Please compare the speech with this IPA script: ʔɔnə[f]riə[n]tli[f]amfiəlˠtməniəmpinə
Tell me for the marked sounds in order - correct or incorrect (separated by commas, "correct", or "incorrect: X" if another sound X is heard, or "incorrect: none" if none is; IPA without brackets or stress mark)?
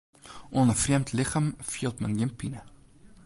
correct, incorrect: m, incorrect: χ